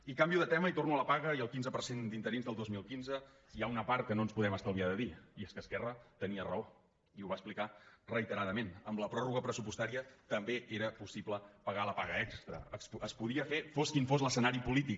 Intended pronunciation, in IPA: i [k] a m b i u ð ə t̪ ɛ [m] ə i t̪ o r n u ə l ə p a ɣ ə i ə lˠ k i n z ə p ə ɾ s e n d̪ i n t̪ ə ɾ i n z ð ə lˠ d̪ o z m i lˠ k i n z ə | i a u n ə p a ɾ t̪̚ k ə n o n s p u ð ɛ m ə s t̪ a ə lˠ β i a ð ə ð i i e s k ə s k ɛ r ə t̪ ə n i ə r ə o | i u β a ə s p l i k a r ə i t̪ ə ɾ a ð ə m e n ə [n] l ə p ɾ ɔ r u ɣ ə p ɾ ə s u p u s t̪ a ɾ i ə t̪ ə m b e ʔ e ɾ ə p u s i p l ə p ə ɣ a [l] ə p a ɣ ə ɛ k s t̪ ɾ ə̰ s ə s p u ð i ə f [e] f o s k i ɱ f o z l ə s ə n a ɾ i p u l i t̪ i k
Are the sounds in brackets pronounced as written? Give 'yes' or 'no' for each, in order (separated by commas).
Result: yes, yes, no, yes, yes